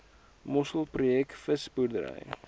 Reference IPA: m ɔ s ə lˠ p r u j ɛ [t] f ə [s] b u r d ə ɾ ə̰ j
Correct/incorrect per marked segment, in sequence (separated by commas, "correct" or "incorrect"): incorrect, correct